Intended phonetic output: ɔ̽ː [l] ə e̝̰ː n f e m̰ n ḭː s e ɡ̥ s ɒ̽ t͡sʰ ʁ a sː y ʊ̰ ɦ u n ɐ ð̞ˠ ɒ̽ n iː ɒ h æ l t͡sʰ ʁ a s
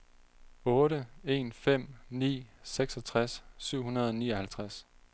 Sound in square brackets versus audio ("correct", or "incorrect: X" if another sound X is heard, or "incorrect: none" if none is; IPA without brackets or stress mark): incorrect: ɾ